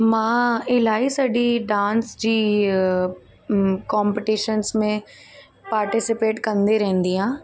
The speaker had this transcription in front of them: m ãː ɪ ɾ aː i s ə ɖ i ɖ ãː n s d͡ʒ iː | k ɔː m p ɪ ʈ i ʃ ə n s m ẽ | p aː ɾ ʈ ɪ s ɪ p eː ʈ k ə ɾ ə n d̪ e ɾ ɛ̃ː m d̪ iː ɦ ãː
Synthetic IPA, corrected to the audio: m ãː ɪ l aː i s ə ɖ i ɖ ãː n s d͡ʒ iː | k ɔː m p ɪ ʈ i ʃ ə n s m ẽ | p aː ɾ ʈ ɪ s ɪ p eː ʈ k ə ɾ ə n d̪ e ɾ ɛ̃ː n d̪ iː ɦ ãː